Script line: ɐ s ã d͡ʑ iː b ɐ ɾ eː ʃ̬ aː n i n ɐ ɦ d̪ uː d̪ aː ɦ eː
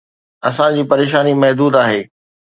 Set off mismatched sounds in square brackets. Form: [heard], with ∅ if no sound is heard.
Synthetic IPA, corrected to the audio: ɐ s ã d͡ʑ iː [p] ɐ ɾ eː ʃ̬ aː n i [m] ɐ ɦ d̪ uː d̪ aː ɦ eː